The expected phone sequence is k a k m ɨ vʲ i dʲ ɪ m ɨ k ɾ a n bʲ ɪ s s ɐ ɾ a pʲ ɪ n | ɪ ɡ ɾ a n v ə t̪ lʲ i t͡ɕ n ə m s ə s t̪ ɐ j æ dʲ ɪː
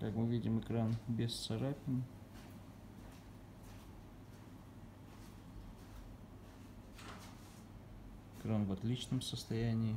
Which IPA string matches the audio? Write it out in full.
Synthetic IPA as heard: k a k m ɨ vʲ i dʲ ɪ m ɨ k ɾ a n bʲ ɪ s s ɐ ɾ a pʲ ɪ n | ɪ k ɾ a n v ɐ t̪ lʲ i t͡ɕ n ə m s ə s t̪ ɐ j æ nʲ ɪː